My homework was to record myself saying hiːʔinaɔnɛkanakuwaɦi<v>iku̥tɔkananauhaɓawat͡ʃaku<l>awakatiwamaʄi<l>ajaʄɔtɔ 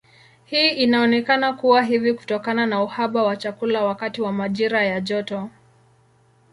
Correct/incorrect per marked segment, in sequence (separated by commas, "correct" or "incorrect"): correct, correct, incorrect